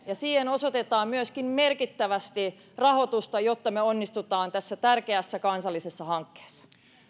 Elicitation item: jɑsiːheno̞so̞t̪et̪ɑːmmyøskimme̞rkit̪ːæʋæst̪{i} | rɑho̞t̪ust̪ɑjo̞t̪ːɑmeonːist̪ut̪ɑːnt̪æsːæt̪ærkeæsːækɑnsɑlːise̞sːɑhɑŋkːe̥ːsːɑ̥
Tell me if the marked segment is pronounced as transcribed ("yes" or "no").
yes